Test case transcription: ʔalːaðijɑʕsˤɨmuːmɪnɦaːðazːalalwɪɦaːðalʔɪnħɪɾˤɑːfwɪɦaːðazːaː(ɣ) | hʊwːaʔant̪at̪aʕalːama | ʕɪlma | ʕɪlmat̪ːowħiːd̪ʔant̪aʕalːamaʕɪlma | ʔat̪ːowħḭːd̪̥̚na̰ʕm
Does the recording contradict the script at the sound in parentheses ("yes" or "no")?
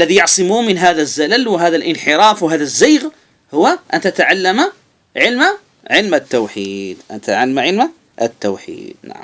no